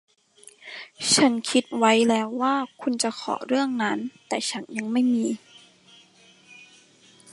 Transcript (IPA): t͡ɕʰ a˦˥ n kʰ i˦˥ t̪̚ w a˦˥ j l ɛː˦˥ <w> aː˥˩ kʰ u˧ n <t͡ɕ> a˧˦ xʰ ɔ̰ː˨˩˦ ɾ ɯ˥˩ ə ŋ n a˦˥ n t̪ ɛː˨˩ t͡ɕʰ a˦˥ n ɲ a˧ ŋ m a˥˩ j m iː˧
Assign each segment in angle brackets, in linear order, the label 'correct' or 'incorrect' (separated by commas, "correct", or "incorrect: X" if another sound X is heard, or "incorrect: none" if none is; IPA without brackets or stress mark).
incorrect: wː, correct